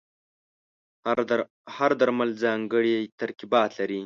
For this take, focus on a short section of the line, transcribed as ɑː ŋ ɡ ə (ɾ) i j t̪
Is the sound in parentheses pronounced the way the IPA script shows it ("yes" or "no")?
no